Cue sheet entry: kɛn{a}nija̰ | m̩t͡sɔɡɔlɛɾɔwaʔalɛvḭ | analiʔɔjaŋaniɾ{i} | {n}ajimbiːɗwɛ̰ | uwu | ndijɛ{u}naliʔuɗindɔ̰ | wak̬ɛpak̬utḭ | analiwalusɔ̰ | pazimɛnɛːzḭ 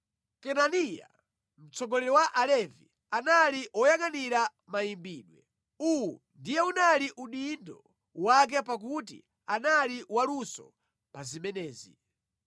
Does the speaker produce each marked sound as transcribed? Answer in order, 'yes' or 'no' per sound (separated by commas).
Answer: yes, no, no, yes